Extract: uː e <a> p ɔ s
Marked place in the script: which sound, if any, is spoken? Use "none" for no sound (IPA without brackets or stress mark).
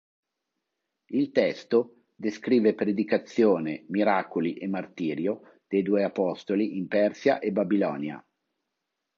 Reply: a